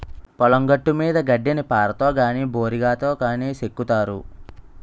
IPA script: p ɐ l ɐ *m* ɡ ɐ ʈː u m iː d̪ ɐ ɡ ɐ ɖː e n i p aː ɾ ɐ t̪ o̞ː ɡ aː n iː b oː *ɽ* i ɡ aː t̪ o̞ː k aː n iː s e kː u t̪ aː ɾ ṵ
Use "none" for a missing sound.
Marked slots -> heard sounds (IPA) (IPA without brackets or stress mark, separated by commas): ŋ, ɾ